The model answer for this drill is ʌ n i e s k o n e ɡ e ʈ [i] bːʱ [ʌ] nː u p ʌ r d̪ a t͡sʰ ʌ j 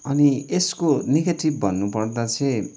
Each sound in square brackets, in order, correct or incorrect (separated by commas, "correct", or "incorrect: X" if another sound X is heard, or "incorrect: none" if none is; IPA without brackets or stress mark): correct, correct